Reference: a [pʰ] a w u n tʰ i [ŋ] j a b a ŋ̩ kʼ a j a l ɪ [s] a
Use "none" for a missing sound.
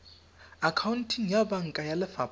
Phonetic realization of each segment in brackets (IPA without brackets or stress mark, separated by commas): kʰ, ŋ, f